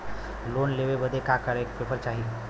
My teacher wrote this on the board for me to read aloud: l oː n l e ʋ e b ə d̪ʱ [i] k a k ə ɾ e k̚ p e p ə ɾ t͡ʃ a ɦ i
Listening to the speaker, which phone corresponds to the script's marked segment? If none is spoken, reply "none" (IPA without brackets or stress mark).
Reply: e